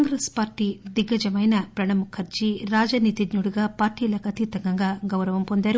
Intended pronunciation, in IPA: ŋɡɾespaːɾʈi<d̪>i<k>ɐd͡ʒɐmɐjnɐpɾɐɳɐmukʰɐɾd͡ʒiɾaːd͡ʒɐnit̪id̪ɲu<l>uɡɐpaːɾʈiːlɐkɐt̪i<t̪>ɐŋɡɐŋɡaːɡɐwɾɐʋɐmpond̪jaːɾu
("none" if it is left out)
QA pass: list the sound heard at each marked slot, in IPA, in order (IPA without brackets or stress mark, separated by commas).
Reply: d̪, ɡ, ɽ, t̪